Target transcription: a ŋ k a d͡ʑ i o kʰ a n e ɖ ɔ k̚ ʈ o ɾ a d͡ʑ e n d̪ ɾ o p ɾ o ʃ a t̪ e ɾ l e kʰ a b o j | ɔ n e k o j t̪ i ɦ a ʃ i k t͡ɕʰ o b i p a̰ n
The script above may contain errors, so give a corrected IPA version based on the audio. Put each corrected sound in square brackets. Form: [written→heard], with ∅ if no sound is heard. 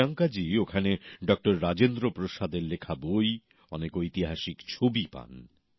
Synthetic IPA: a ŋ k a d͡ʑ i o kʰ a n e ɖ ɔ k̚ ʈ o [ɾ→ɾː] a d͡ʑ e n d̪ ɾ o p ɾ o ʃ a [t̪→d̪] e ɾ l e kʰ a b o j | ɔ n e k o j t̪ i ɦ a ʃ i k t͡ɕʰ o b i p a̰ n